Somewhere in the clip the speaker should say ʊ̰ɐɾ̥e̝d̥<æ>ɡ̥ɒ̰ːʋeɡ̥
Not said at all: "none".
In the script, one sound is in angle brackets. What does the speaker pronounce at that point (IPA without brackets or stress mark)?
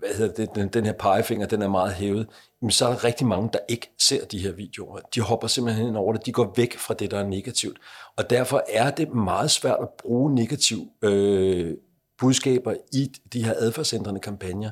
i